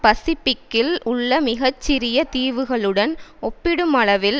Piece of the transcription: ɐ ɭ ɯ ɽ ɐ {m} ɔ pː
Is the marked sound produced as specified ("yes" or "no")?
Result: no